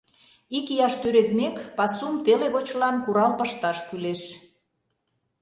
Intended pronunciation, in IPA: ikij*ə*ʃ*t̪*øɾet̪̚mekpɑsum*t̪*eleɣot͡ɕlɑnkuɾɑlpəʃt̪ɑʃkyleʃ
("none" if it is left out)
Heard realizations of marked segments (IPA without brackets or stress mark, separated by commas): ɑ, t̪, t̪